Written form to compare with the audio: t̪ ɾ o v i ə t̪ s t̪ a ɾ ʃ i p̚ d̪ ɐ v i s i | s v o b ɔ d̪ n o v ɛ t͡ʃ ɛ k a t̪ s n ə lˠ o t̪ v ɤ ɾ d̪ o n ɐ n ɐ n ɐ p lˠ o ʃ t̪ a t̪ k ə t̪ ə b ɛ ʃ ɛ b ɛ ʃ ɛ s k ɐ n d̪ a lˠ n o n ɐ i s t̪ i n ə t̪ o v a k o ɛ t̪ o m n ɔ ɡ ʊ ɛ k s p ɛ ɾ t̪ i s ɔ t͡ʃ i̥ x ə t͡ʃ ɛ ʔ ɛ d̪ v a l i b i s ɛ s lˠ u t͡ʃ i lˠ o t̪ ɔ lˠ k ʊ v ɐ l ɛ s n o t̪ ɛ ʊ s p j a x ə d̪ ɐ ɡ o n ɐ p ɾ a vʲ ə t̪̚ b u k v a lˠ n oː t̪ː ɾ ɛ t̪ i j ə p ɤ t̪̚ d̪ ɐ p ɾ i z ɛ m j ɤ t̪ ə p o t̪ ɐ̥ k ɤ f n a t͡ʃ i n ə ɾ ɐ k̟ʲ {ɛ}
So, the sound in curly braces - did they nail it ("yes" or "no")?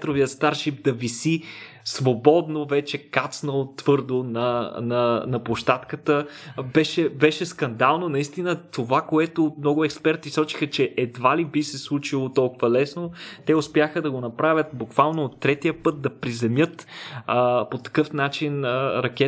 yes